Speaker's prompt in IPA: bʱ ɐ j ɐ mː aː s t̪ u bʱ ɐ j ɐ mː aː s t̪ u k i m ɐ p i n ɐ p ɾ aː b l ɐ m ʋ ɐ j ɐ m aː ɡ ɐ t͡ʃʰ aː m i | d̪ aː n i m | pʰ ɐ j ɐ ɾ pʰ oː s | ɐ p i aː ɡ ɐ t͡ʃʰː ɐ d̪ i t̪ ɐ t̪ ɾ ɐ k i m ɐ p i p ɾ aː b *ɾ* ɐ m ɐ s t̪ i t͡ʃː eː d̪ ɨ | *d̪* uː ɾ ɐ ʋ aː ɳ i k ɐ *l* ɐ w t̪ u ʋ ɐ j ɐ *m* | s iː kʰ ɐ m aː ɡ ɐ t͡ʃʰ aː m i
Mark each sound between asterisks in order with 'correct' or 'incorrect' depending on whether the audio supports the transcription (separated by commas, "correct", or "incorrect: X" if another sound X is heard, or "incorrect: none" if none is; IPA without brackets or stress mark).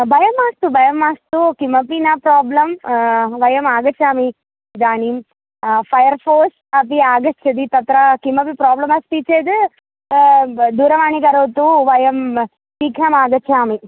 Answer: incorrect: l, correct, incorrect: ɾ, correct